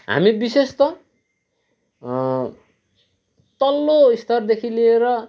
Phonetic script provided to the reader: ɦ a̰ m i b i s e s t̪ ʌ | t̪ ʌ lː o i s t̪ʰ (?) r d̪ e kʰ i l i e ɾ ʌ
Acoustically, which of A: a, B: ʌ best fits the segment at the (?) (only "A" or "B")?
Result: B